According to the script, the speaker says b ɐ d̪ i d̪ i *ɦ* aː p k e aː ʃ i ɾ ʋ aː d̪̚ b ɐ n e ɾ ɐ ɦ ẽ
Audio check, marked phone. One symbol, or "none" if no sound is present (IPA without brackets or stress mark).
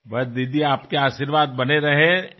none